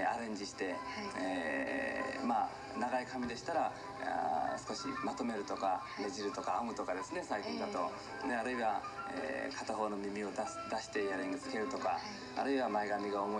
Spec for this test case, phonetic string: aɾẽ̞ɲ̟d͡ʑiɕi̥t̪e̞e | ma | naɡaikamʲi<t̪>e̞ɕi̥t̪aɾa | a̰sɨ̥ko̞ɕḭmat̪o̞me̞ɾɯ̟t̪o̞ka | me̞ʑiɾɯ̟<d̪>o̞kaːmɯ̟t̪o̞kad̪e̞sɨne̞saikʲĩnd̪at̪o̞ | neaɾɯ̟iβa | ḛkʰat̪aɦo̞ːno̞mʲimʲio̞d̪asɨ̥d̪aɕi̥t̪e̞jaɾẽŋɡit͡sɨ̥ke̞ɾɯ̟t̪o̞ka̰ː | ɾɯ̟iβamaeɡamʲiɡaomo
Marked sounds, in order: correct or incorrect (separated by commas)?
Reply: incorrect, incorrect